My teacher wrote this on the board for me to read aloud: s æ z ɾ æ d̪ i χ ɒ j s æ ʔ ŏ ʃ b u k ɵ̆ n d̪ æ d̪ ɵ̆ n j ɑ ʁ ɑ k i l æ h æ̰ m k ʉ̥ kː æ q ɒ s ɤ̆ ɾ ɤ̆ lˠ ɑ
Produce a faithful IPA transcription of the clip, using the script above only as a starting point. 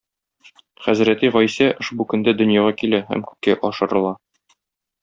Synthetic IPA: χ æ z ɾ æ t̪ i ʁ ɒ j s æ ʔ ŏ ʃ b u k ɵ̆ n d̪ æ d̪ ɵ̆ n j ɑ ʁ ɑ k i l æ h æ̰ m k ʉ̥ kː æ ʔ ɒ ʃ ɤ̆ ɾ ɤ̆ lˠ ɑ